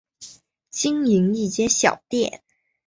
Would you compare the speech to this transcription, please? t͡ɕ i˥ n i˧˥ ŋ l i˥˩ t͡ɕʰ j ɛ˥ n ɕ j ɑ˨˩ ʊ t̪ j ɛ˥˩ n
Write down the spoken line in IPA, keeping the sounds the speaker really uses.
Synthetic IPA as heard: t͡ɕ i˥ ŋ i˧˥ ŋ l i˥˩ t͡ɕ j ɛ˥ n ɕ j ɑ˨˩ ʊ t̪ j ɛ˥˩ n